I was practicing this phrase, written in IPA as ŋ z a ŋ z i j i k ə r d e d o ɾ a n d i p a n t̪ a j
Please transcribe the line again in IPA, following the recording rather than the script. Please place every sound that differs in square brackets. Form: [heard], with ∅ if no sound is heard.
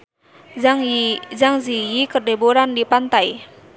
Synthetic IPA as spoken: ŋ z a ŋ z i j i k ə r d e [b] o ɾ a n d i p a n t̪ a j